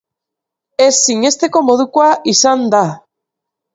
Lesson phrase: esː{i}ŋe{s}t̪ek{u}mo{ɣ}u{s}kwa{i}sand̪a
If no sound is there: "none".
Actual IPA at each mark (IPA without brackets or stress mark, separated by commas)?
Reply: i, s, o, ð, none, i